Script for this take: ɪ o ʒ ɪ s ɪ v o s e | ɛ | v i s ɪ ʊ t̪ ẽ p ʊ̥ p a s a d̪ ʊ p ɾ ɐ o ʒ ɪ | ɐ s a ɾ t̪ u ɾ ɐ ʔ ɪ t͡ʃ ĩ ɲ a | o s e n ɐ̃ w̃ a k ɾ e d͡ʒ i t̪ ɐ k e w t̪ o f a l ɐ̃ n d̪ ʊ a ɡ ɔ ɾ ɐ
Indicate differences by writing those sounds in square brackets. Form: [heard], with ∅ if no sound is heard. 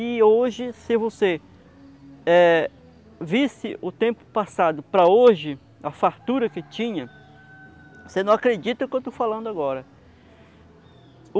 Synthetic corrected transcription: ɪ o ʒ ɪ s ɪ v o s e | ɛ | v i s ɪ ʊ t̪ ẽ p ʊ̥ p a s a d̪ ʊ p ɾ ɐ o ʒ ɪ | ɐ [f] a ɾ t̪ u ɾ ɐ [k] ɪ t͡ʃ ĩ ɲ [ɐ] | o s e n ɐ̃ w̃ a k ɾ e d͡ʒ i t̪ ɐ k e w t̪ o f a l ɐ̃ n d̪ ʊ a ɡ ɔ ɾ ɐ